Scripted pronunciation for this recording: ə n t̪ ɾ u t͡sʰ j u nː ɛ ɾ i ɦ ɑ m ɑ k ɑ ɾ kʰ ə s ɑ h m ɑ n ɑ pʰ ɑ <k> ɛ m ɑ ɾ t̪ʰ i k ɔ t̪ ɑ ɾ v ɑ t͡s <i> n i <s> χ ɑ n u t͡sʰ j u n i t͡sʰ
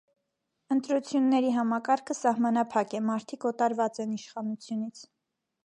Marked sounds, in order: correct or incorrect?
correct, incorrect, incorrect

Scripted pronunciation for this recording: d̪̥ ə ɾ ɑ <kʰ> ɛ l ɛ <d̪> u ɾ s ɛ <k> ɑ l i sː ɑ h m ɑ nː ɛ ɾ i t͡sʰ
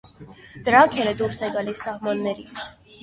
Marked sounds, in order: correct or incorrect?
correct, correct, incorrect

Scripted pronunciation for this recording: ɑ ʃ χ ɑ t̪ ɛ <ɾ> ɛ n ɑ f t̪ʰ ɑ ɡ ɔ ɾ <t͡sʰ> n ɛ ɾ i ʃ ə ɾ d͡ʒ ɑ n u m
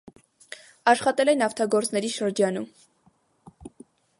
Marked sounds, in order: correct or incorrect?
incorrect, incorrect

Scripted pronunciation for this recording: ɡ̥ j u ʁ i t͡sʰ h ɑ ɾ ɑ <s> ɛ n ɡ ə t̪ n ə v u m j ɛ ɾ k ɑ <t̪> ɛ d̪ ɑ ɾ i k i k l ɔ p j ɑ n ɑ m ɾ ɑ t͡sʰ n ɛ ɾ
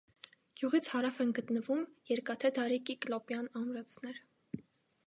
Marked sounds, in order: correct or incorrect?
incorrect, incorrect

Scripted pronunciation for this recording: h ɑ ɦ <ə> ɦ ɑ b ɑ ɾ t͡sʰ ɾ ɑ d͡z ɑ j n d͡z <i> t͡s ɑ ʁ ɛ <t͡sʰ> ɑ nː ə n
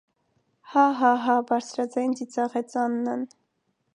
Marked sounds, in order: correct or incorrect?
incorrect, correct, incorrect

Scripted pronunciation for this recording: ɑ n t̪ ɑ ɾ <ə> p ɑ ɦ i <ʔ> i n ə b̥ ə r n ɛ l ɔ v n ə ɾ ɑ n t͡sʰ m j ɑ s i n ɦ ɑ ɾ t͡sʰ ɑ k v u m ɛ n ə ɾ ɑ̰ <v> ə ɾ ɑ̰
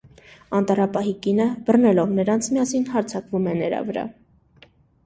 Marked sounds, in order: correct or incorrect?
incorrect, incorrect, correct

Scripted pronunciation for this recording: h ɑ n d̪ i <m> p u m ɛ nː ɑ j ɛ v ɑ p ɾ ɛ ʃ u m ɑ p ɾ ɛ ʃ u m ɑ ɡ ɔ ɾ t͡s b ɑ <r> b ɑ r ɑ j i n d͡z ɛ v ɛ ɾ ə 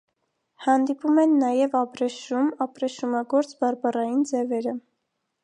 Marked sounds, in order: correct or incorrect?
incorrect, incorrect

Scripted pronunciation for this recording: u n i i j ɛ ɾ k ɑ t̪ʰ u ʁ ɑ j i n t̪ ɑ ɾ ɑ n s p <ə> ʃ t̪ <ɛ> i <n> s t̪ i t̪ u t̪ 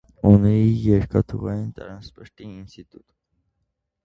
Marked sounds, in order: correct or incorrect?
correct, incorrect, correct

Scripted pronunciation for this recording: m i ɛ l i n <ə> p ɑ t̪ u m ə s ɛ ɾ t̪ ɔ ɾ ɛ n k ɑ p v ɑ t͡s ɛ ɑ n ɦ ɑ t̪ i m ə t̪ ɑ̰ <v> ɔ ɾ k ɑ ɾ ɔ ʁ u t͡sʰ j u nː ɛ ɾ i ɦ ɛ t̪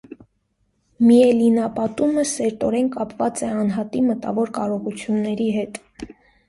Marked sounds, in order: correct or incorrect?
incorrect, correct

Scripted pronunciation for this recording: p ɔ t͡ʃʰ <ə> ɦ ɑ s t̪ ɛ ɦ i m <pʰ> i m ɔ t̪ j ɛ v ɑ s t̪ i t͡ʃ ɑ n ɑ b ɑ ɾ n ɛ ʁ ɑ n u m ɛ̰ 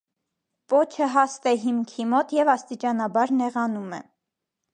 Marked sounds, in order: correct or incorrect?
correct, incorrect

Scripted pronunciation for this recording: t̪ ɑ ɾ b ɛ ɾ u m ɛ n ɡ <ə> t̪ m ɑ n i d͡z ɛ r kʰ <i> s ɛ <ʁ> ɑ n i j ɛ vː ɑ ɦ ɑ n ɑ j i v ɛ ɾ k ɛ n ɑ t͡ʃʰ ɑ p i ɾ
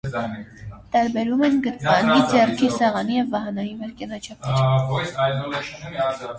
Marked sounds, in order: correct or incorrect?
correct, correct, correct

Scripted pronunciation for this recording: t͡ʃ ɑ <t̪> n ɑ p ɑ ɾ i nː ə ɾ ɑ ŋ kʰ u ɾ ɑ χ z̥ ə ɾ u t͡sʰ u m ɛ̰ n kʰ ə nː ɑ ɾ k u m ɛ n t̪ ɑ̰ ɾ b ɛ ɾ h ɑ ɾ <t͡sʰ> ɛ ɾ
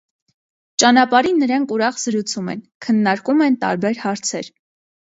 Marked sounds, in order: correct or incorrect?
incorrect, correct

